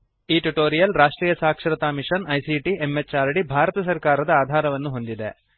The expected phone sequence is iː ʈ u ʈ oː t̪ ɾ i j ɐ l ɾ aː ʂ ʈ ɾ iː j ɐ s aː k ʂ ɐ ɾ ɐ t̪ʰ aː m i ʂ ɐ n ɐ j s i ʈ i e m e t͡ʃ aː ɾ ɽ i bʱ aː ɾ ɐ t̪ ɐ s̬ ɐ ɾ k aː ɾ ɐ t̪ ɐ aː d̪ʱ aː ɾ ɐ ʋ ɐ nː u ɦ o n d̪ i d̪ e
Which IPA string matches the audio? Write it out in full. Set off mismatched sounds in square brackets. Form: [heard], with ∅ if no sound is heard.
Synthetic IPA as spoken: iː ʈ u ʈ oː [∅] ɾ i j ɐ l ɾ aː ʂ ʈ ɾ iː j ɐ s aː k ʂ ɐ ɾ ɐ [t̪] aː m i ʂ ɐ n ɐ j s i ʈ i e m e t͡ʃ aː ɾ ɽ i bʱ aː ɾ ɐ t̪ ɐ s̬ ɐ ɾ k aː ɾ ɐ [d̪] ɐ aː d̪ʱ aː ɾ ɐ ʋ ɐ nː u ɦ o n d̪ i d̪ e